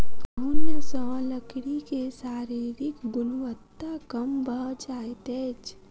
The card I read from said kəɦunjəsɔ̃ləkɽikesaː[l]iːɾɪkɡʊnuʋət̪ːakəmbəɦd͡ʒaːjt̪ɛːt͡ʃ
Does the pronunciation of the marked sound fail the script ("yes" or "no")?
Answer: yes